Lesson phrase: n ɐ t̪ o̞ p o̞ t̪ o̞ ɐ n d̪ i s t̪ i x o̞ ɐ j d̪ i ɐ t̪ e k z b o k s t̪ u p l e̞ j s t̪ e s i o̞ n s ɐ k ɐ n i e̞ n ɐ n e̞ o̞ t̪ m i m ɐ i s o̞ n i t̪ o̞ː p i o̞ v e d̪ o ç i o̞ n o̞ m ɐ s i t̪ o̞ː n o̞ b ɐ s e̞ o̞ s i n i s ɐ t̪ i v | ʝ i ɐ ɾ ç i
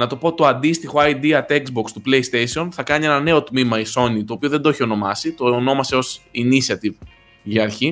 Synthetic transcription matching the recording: n ɐ t̪ o̞ p o̞ t̪ o̞ ɐ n d̪ i s t̪ i x o̞ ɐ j d̪ i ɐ t̪ e k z b o k s t̪ u p l e̞ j s t̪ e s i o̞ n θ ɐ k ɐ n i e̞ n ɐ n e̞ o̞ t̪ m i m ɐ i s o̞ n i t̪ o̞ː p i o̞ ð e d̪ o ç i o̞ n o̞ m ɐ s i t̪ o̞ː n o̞ m ɐ s e̞ o̞ s i n i s ɐ t̪ i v | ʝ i ɐ ɾ ç i